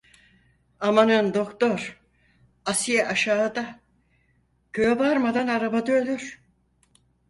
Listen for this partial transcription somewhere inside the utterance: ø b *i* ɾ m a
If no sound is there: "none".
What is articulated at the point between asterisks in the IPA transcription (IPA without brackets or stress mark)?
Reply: a